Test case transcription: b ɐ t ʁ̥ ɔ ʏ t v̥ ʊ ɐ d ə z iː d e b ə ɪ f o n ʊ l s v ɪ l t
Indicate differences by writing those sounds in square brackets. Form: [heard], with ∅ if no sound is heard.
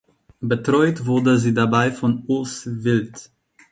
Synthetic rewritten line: b [ə] t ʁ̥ ɔ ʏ t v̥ ʊ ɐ d ə z iː d [a] b [a] ɪ f [ɔ] n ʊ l s v ɪ l t